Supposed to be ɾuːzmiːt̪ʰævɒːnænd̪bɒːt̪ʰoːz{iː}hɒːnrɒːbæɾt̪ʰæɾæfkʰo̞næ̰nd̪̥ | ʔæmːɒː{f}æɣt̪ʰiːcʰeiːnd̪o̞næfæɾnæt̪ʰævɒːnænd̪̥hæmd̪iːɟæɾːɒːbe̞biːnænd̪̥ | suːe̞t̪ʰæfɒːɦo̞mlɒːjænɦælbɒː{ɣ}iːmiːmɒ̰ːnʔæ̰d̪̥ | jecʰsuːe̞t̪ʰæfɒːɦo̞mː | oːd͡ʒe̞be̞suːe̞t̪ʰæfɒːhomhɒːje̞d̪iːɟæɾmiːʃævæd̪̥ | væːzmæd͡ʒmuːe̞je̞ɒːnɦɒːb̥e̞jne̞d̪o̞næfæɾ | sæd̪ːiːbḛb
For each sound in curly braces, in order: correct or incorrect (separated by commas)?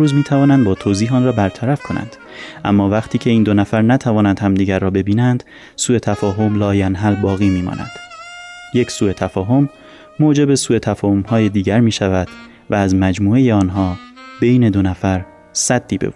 correct, incorrect, correct